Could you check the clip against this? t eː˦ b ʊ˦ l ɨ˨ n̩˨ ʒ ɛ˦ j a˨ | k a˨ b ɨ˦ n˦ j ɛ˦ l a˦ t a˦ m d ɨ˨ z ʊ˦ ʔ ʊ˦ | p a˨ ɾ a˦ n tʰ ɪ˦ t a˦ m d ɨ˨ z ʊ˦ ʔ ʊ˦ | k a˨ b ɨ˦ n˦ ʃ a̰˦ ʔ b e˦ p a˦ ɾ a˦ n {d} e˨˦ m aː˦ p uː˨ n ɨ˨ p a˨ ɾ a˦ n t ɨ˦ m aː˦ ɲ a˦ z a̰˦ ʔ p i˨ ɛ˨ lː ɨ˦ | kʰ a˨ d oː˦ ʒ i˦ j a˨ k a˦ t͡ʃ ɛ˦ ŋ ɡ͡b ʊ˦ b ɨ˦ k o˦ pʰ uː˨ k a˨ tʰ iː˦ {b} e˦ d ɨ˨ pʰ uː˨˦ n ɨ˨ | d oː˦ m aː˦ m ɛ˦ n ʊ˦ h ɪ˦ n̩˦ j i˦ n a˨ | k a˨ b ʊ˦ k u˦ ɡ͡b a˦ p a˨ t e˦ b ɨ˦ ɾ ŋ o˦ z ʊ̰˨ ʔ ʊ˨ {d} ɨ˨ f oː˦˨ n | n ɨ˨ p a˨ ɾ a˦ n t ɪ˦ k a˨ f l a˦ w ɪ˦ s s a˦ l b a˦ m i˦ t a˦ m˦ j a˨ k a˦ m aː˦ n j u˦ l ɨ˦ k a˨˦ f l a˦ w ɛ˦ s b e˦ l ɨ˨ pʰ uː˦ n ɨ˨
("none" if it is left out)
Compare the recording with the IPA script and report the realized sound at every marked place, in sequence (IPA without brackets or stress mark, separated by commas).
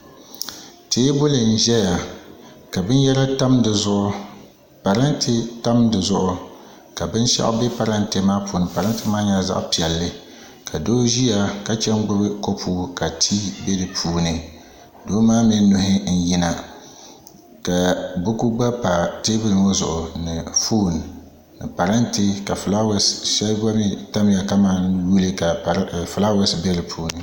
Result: t, b, n